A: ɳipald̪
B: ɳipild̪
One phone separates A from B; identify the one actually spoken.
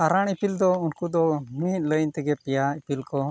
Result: B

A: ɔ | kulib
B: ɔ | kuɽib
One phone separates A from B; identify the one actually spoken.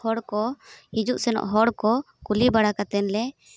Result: A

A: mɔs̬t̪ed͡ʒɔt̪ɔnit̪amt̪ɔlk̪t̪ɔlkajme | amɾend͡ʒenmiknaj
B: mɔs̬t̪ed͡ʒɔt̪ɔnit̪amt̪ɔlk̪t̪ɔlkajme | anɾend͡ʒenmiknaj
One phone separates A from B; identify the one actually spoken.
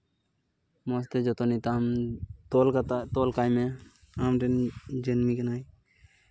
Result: A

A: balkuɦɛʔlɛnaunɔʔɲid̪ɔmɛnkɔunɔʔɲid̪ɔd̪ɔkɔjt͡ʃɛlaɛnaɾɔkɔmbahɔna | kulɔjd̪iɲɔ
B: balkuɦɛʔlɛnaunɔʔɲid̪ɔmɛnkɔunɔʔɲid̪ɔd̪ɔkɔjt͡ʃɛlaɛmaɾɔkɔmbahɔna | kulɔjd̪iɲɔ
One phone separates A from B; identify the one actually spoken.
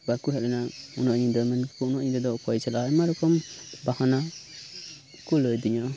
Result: B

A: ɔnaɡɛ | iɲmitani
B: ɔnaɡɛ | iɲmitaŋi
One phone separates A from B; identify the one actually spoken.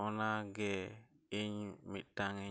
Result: B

